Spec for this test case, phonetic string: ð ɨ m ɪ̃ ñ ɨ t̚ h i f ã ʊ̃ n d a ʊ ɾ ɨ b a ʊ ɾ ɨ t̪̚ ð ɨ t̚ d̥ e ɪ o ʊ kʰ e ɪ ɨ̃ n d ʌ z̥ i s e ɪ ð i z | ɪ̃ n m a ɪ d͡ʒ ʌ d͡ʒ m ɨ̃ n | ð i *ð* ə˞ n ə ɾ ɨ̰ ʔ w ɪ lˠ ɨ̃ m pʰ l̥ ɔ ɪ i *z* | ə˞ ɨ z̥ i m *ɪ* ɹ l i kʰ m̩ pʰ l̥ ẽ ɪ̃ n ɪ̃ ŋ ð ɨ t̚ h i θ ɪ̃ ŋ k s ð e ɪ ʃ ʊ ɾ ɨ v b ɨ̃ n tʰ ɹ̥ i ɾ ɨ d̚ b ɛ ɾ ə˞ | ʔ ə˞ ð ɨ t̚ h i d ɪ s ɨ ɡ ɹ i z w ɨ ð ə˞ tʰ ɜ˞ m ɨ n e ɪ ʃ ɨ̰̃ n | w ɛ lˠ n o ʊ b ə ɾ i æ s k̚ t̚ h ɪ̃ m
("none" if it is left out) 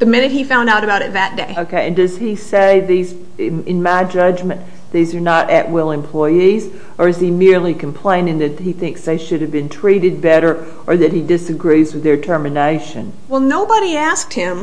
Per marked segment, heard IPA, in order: z, z, ɪ

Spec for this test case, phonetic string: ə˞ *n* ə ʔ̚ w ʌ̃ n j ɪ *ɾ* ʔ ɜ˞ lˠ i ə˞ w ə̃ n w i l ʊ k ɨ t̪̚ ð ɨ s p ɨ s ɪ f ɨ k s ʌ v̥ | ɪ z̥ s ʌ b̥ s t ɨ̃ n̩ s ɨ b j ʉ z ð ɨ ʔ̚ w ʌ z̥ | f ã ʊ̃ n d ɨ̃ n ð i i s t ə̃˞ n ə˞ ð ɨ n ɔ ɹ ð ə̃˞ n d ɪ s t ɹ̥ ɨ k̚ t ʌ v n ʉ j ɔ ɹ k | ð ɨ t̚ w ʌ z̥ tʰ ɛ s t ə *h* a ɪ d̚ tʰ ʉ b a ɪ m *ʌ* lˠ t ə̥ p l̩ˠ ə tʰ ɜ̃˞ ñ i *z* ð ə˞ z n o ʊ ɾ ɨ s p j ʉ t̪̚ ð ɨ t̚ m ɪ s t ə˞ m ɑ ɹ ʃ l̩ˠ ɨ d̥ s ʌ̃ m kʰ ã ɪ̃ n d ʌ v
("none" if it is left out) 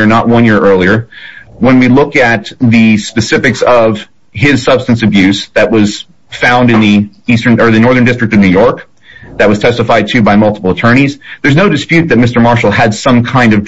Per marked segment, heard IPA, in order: n, ɹ, f, ʌ, z

